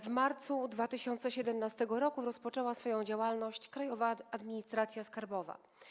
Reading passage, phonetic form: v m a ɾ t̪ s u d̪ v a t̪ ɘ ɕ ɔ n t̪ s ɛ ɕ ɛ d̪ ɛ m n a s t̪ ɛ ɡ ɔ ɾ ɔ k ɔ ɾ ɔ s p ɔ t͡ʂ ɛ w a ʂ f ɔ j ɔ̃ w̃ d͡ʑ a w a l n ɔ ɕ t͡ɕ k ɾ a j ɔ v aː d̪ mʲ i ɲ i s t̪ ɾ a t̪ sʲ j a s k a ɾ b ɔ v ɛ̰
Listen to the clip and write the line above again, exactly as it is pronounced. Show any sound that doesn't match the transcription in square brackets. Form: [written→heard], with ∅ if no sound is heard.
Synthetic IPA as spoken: v m a ɾ t̪ s u d̪ v a t̪ ɘ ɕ ɔ n t̪ s ɛ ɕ ɛ d̪ ɛ m n a s t̪ ɛ ɡ ɔ ɾ ɔ k [ɔ→u] ɾ ɔ s p ɔ t͡ʂ ɛ w a [ʂ→s] f ɔ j ɔ̃ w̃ d͡ʑ a w a l n ɔ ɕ t͡ɕ k ɾ a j ɔ v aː d̪ mʲ i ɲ i s t̪ ɾ a t̪ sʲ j a s k a ɾ b ɔ v [ɛ̰→a̰]